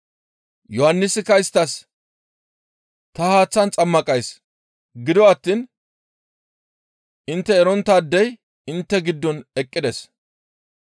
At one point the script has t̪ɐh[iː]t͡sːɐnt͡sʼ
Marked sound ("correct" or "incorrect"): incorrect